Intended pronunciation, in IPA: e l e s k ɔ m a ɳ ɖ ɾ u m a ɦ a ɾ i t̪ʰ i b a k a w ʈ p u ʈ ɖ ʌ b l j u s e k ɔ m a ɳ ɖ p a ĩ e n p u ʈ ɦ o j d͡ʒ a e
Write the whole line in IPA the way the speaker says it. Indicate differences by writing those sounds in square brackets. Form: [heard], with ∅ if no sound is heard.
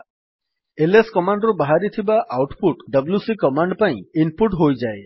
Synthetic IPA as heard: e l e s k ɔ m a ɳ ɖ ɾ u [b] a ɦ a ɾ i t̪ʰ i b a [ʔ] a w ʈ p u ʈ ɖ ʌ b l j u s [i] k ɔ m a ɳ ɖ p a ĩ [i] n p u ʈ ɦ o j d͡ʒ a e